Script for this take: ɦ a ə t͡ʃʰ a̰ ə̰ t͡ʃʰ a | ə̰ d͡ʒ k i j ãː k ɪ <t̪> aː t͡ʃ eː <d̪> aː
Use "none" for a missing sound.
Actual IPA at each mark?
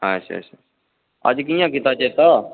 t̪, t̪

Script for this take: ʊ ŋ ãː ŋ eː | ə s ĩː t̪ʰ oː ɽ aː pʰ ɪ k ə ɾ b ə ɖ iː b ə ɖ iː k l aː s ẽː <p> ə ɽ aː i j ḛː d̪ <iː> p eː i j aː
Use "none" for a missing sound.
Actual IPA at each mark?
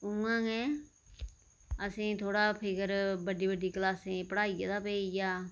p, aː

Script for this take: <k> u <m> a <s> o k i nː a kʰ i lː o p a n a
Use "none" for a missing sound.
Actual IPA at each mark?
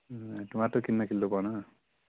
t, m, t

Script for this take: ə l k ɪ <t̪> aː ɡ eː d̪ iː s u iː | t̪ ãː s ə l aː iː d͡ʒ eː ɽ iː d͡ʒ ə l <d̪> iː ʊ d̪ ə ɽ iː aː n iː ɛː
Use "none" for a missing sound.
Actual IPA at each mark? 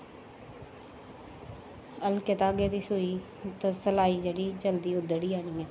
t̪, d̪

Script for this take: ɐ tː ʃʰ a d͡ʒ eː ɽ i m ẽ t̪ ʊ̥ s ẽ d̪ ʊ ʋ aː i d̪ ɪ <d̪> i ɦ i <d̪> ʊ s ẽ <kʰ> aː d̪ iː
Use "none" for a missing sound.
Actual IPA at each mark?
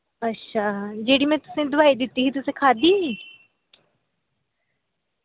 t̪, t̪, kʰ

